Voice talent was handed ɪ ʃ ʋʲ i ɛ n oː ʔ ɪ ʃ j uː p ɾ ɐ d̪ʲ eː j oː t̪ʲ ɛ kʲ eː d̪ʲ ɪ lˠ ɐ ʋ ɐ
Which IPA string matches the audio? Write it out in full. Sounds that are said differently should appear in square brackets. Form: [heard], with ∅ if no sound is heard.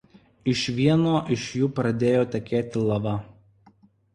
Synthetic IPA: ɪ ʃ ʋʲ i ɛ n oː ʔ ɪ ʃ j uː p ɾ ɐ d̪ʲ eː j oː t̪ʲ ɛ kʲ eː [t̪ʲ] ɪ lˠ ɐ ʋ ɐ